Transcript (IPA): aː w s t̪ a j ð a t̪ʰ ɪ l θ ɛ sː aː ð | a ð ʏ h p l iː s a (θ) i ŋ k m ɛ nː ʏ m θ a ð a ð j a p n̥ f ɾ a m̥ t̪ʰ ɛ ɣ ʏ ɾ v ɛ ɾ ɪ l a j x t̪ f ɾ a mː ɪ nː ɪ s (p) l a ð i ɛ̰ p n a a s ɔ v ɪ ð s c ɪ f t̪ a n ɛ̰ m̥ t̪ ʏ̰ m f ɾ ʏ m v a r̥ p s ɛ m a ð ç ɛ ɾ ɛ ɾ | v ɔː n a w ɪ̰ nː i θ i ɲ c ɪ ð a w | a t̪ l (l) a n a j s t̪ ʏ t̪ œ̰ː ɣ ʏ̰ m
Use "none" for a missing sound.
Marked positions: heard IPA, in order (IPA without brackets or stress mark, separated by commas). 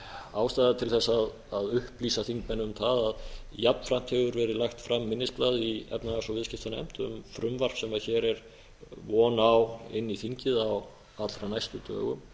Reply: θ, p, ɾ